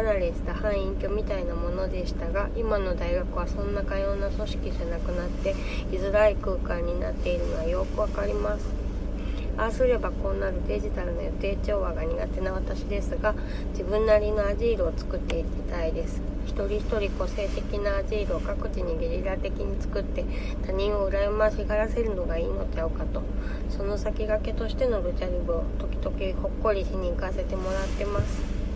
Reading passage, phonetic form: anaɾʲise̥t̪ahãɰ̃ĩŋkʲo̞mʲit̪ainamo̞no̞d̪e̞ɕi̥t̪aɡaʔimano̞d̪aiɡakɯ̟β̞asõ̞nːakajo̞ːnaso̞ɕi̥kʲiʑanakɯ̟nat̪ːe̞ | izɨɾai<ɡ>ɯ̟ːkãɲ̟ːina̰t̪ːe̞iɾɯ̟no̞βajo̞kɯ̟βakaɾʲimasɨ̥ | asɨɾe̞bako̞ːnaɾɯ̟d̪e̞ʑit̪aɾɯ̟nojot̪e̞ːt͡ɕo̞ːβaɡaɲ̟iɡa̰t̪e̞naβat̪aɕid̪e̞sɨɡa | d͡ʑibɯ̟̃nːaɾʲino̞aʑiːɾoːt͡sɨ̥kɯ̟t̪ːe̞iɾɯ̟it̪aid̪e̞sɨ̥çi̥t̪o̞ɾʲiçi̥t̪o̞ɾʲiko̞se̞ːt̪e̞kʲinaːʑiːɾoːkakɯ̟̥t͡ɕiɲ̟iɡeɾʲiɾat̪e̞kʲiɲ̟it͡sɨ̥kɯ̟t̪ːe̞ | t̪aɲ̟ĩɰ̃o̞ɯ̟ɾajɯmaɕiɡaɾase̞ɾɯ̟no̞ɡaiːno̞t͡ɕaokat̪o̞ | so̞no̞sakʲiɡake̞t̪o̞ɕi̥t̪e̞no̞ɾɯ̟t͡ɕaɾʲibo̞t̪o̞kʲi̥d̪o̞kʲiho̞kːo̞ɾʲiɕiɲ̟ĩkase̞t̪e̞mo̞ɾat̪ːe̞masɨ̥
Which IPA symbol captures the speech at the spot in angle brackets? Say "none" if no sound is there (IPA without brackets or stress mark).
k